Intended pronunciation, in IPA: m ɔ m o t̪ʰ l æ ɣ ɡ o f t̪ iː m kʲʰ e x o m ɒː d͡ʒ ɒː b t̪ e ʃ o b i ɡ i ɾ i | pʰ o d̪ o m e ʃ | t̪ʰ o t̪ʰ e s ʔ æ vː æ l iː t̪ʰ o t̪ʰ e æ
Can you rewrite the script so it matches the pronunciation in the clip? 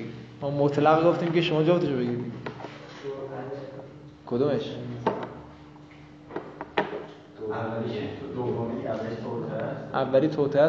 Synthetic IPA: m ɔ m o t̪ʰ l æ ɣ ɡ o f t̪ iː m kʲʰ e ʃ o m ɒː d͡ʒ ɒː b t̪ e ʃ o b e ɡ i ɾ i | kʰ o d̪ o m e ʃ | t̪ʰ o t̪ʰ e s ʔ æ vː æ l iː t̪ʰ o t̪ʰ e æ